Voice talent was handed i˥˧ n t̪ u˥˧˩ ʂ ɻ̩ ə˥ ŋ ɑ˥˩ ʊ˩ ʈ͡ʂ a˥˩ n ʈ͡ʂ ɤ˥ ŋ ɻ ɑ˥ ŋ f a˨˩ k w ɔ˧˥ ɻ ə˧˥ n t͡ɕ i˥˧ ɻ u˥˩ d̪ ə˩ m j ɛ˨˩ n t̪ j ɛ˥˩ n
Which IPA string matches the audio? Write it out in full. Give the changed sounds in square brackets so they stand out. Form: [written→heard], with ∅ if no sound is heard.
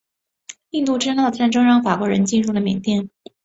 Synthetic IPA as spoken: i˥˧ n t̪ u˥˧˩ [ʂ→ʈ͡ʂ] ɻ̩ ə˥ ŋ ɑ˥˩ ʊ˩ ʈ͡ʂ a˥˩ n ʈ͡ʂ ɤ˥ ŋ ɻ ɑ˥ ŋ f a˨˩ k w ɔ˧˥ ɻ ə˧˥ n t͡ɕ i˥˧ ɻ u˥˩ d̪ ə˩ m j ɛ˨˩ n t̪ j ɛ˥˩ n